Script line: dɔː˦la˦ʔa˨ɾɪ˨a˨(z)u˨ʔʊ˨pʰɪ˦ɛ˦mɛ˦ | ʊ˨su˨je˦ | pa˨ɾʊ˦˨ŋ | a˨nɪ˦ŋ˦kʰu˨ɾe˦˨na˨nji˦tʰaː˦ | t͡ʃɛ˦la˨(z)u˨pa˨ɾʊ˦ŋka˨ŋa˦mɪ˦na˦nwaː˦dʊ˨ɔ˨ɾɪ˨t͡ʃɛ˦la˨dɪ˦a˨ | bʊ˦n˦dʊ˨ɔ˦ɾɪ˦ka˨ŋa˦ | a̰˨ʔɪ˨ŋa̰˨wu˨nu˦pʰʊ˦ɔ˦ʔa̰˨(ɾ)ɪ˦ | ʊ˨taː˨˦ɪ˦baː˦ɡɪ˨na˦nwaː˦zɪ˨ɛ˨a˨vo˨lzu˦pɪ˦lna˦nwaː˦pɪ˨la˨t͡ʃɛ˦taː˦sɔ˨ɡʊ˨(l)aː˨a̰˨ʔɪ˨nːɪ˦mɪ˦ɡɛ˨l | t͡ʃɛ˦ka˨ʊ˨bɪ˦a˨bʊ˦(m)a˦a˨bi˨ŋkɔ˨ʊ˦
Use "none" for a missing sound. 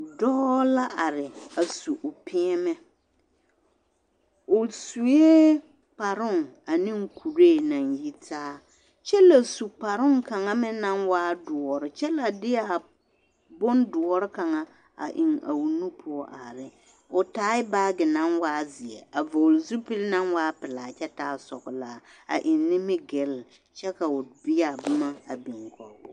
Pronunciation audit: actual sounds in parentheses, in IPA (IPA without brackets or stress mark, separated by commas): s, s, ɾ, l, m